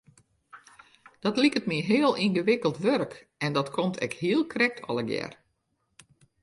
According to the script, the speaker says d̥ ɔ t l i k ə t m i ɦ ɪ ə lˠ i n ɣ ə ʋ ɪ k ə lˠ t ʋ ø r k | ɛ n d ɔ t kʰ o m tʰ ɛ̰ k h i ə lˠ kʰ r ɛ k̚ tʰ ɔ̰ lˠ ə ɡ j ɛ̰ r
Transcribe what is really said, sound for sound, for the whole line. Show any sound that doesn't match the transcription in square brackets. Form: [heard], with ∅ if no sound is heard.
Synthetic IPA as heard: d̥ ɔ t l i k ə t m i ɦ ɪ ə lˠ i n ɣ ə ʋ ɪ k ə lˠ t ʋ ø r k | ɛ n d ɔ t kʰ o m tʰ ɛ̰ k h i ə lˠ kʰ r ɛ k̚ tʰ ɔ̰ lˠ ə ɡ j ɛ̰ r